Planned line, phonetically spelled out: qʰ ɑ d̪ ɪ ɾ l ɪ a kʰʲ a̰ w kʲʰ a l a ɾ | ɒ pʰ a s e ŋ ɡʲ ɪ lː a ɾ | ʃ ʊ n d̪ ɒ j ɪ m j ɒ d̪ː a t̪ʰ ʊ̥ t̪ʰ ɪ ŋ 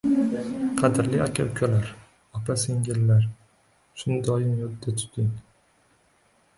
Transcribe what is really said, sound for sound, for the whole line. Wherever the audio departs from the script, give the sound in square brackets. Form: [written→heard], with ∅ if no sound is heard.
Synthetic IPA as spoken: qʰ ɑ d̪ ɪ ɾ l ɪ a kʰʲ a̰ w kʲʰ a l a ɾ | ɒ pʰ a s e ŋ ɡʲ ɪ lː a ɾ | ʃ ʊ n d̪ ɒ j ɪ m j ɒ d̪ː a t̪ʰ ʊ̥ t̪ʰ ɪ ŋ